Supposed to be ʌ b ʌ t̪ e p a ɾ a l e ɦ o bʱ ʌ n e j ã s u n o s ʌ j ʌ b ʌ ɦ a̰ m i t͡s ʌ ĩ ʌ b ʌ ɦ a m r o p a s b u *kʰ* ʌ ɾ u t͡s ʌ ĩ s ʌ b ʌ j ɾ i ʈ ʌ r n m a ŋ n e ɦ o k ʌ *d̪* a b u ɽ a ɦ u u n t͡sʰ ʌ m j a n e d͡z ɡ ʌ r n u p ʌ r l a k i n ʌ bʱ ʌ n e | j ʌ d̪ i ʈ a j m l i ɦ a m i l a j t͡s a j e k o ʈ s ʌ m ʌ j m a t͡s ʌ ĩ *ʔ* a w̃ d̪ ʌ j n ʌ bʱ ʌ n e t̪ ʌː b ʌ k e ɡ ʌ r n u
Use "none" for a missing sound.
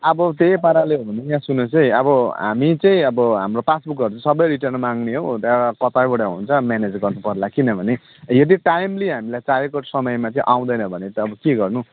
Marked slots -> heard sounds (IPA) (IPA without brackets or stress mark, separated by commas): k, t̪, ʔ